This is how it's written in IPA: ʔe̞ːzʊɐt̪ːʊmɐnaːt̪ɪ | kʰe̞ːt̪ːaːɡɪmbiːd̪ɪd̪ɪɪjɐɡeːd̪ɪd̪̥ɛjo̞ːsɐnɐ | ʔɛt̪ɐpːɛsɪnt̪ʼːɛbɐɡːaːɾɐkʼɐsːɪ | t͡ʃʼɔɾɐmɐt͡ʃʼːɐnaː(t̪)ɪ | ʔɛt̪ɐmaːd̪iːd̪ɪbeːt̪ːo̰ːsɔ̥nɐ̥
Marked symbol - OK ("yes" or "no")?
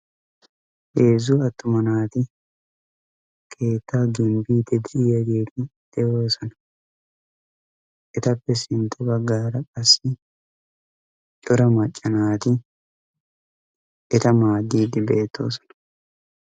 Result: yes